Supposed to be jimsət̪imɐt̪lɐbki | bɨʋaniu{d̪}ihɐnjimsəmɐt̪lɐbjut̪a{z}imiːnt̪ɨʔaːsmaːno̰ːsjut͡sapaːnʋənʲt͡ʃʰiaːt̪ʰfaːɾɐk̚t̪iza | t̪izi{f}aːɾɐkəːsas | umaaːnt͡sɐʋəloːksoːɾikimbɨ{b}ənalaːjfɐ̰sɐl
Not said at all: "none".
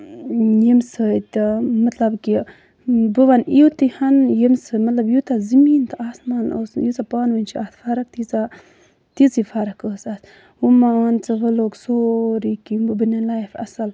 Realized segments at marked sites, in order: t̪, z, f, b

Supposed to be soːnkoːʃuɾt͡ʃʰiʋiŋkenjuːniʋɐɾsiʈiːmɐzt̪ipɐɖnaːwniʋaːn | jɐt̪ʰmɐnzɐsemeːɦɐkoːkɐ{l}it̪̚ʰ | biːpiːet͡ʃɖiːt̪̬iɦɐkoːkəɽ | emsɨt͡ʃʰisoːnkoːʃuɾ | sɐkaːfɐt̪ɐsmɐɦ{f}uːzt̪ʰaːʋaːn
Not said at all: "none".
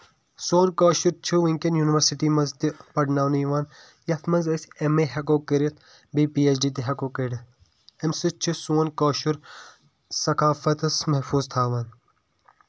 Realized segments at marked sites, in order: ɾ, f

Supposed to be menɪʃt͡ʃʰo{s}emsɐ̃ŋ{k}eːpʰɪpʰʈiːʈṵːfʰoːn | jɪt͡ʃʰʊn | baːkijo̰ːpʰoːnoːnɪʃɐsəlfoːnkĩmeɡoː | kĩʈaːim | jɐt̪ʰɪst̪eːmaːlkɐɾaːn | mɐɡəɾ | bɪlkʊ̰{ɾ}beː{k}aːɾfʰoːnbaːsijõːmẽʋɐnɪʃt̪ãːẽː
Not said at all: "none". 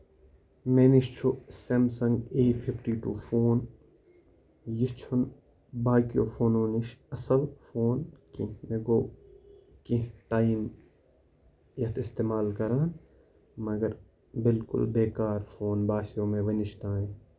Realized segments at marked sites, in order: s, ɡ, l, k

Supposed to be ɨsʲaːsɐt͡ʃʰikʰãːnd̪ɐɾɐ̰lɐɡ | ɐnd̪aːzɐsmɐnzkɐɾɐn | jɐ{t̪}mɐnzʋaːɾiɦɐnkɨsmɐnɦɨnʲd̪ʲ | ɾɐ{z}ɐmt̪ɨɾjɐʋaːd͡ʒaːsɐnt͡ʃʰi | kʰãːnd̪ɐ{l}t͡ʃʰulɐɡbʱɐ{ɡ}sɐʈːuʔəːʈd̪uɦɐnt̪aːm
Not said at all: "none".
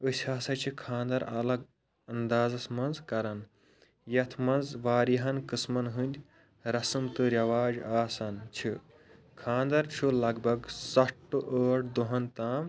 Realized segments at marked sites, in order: t̪ʰ, s, ɾ, ɡ

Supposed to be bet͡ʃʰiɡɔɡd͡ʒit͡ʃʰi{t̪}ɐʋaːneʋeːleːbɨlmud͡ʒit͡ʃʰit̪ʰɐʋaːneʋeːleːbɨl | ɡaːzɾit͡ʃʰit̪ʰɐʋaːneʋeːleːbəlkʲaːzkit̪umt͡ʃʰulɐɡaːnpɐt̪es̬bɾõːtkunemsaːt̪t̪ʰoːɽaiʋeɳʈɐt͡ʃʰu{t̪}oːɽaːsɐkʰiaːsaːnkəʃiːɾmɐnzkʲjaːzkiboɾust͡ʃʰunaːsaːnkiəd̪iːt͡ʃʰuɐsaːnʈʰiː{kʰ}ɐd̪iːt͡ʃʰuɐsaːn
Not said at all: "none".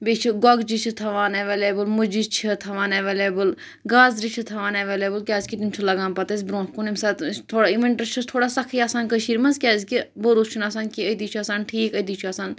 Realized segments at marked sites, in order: t̪ʰ, t̪ʰ, k

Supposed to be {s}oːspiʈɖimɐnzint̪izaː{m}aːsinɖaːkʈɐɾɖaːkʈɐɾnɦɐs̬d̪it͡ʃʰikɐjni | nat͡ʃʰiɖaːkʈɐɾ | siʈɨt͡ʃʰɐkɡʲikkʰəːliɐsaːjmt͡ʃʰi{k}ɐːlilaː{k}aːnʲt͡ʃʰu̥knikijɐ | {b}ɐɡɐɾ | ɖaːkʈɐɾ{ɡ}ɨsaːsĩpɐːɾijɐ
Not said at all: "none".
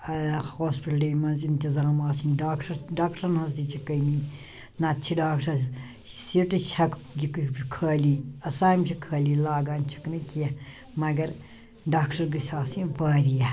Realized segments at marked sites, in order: h, m, kʰ, ɡ, m, ɡ

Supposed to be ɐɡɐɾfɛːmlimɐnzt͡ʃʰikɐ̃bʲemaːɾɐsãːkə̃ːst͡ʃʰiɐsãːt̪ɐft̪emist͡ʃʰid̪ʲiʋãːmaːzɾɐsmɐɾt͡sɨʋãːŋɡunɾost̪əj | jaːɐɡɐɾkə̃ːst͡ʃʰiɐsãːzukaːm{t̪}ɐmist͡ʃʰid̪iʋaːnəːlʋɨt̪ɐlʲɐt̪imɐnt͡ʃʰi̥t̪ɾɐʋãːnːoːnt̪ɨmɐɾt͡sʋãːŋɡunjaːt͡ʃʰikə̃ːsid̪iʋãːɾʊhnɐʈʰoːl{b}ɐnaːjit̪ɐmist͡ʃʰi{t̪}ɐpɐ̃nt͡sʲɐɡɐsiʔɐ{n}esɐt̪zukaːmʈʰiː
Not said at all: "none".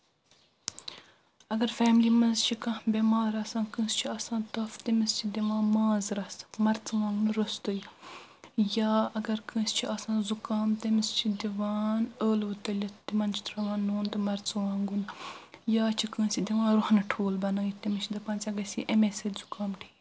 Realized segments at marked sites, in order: t̪, b, d̪, m

